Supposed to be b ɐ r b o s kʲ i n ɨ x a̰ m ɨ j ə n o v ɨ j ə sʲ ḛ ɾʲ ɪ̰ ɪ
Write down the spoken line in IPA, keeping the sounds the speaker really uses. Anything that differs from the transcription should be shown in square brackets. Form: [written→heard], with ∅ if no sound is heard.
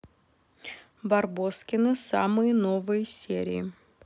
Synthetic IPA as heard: b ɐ r b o s kʲ [i→ɪ] n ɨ [x→s] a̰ m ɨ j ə n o v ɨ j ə sʲ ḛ ɾʲ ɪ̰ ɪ